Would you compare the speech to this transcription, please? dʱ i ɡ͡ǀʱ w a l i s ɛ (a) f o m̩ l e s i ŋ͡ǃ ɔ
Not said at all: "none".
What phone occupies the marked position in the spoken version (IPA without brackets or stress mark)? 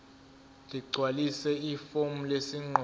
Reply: i